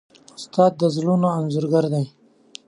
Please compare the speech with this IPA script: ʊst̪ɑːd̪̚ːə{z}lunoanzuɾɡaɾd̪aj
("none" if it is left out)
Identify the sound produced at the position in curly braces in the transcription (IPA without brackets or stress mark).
z